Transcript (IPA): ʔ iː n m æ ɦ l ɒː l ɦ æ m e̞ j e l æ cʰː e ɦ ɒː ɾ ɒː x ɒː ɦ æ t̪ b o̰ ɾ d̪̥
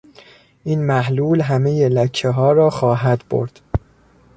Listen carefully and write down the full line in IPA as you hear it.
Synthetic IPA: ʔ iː n m æ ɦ l uː l ɦ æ m e̞ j e l æ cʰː e ɦ ɒː ɾ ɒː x ɒː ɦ æ d̪ b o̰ ɾ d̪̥